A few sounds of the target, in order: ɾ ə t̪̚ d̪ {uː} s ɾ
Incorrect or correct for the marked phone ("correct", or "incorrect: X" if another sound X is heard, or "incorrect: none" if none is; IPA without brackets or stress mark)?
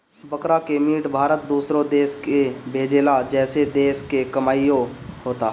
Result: correct